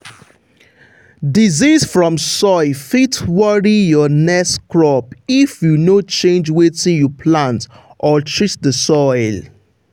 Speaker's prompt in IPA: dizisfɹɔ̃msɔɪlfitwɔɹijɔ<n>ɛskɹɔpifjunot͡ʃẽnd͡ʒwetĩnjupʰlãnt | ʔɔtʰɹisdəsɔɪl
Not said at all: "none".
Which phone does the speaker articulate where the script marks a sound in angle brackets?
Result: n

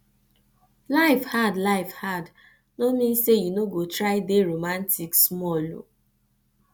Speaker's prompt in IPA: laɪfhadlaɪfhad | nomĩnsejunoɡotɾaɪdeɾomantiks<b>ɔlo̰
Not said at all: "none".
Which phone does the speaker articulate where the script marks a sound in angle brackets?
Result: m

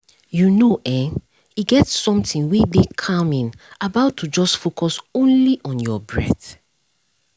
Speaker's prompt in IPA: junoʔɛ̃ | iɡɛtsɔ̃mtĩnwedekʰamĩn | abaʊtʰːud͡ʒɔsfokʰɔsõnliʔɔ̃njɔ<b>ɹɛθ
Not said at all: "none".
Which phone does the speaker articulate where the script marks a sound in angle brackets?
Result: b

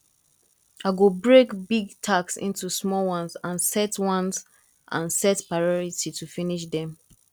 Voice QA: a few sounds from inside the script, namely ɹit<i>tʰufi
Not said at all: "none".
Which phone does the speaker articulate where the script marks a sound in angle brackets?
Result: i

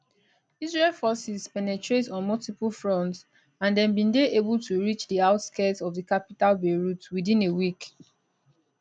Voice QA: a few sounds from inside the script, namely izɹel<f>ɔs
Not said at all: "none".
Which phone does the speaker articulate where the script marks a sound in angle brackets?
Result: f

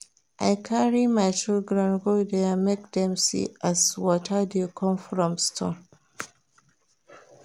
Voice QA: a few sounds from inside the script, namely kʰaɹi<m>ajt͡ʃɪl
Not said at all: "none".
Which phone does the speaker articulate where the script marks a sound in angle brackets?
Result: m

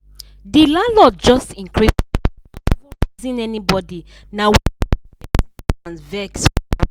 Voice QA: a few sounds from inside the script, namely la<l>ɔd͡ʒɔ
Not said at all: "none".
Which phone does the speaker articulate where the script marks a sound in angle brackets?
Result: l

